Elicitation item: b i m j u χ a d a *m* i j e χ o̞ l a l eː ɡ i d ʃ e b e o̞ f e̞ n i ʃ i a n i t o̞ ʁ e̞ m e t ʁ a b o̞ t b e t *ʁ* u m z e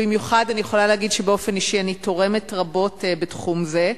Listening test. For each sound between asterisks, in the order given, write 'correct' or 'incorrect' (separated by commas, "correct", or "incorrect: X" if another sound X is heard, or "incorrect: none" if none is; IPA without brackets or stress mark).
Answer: incorrect: n, incorrect: χ